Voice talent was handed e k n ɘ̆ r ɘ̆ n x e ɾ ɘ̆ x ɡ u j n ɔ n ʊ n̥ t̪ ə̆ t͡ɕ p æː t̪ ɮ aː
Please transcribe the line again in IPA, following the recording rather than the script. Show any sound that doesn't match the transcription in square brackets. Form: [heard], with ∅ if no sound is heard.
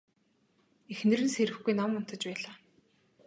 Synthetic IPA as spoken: e [x] n ɘ̆ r ɘ̆ n [s] e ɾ ɘ̆ x ɡ u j n ɔ [m] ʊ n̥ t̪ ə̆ t͡ɕ p æː [∅] ɮ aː

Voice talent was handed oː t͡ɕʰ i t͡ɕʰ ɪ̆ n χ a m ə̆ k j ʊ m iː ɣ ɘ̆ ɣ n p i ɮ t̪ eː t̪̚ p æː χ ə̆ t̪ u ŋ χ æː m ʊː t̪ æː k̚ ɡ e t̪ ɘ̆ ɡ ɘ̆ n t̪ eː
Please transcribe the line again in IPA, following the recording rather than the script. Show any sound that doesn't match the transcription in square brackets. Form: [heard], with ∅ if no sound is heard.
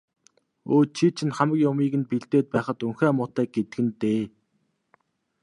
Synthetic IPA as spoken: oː t͡ɕʰ i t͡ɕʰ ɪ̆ n χ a m ə̆ k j ʊ m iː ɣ ɘ̆ [∅] n p i ɮ t̪ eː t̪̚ p æː χ ə̆ t̪ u ŋ [x] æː m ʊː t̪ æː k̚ ɡ e t̪ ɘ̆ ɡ ɘ̆ n t̪ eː

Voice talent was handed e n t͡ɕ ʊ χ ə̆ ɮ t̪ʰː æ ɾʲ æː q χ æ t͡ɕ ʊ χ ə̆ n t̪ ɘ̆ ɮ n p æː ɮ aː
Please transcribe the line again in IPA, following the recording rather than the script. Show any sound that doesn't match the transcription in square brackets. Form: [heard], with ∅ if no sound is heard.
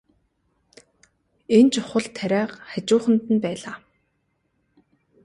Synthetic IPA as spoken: e n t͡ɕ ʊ χ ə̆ ɮ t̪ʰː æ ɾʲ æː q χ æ t͡ɕ [ʊː] χ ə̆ n t̪ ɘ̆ [∅] n p æː ɮ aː

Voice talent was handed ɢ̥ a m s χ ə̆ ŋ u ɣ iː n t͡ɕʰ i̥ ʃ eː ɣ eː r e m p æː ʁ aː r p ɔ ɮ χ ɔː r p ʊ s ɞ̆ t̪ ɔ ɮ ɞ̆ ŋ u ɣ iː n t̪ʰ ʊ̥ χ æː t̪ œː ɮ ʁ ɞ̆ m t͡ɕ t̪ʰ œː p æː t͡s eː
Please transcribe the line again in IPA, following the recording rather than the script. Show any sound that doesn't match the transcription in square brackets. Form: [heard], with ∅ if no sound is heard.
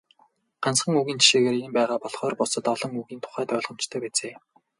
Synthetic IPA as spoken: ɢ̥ a [n] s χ ə̆ ŋ u ɣ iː n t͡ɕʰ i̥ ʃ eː ɣ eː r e m p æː ʁ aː [∅] p ɔ ɮ χ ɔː r p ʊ s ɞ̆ t̪ ɔ ɮ ɞ̆ ŋ u ɣ iː n t̪ʰ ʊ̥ χ æː t̪ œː ɮ ʁ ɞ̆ m t͡ɕ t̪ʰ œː p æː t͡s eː

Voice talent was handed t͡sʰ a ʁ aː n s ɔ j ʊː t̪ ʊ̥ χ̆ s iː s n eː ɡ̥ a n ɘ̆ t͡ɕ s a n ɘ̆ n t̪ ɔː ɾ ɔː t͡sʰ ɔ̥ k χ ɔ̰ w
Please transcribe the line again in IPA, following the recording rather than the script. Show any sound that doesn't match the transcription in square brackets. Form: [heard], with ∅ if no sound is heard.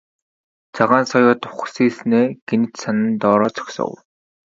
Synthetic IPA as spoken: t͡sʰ a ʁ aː n s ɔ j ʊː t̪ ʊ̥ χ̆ s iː s n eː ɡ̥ [e] n ɘ̆ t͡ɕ s a n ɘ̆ n t̪ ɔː ɾ ɔː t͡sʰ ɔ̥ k [s] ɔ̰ w

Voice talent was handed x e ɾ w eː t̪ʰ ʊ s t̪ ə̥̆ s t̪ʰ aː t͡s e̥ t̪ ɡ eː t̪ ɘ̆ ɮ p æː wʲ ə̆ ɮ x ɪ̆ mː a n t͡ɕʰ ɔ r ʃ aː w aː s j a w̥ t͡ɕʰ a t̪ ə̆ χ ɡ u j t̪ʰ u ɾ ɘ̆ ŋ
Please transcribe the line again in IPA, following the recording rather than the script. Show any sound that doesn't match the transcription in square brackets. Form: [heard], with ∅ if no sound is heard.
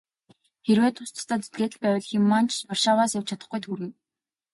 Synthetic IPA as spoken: x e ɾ w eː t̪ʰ ʊ s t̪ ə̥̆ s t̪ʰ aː t͡s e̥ t̪ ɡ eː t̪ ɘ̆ ɮ p æː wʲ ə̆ ɮ x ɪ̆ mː a n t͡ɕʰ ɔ r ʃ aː w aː s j a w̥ t͡ɕʰ a t̪ ə̆ χ ɡ u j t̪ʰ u ɾ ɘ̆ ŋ

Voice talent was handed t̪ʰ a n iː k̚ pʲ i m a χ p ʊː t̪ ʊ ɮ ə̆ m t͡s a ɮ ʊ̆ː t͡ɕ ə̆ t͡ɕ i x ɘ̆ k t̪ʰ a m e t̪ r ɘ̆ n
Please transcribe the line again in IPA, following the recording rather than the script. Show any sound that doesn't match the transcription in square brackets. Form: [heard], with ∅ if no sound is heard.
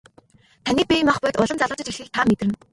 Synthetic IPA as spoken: t̪ʰ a n iː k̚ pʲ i m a χ p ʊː t̪ ʊ ɮ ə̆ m t͡s a ɮ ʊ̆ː t͡ɕ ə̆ t͡ɕ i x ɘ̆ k t̪ʰ a m e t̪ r ɘ̆ n

